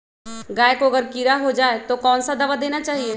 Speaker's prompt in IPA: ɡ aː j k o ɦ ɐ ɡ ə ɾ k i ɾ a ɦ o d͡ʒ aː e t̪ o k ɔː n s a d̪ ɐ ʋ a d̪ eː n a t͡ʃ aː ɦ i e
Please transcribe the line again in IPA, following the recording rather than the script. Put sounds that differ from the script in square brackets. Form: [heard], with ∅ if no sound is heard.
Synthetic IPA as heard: ɡ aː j k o [∅] ɐ ɡ ə ɾ k i ɾ a ɦ o d͡ʒ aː e t̪ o k ɔː n s a d̪ ɐ ʋ a d̪ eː n a t͡ʃ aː ɦ i e